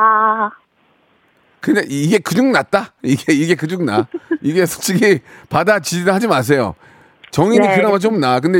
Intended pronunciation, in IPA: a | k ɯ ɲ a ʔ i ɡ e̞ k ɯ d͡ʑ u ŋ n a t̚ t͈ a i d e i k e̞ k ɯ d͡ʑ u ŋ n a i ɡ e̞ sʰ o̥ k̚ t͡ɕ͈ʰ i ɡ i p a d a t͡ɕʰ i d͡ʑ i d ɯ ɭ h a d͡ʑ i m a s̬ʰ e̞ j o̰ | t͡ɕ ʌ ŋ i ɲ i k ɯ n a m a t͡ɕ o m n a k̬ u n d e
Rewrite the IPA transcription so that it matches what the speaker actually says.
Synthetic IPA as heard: a | k ɯ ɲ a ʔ i ɡ e̞ k ɯ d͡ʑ u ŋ n a t̚ t͈ a i ɡ e i ɡ e̞ k ɯ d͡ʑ u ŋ n a i ɡ e̞ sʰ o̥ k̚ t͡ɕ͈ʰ i ɡ i p a d a t͡ɕ i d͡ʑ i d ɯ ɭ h a d͡ʑ i m a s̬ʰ e̞ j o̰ | t͡ɕ ʌ ŋ i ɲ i k ɯ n a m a t͡ɕ o m n a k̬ ɯ n d e